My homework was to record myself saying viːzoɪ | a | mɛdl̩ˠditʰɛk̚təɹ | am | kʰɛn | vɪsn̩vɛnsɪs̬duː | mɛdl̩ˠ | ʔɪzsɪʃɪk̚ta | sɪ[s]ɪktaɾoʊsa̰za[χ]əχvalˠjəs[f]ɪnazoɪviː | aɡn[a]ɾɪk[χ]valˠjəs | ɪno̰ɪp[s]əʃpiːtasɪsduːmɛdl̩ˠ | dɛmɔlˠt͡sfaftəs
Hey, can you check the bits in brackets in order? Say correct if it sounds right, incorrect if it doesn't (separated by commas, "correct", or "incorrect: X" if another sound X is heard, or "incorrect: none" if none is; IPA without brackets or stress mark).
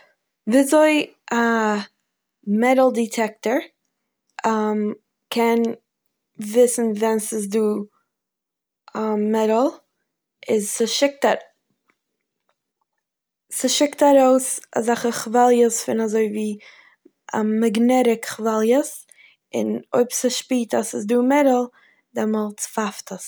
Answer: incorrect: ʃ, correct, correct, incorrect: ɛ, correct, correct